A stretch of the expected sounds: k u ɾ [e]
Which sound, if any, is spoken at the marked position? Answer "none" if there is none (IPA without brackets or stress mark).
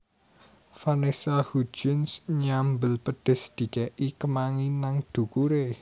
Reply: e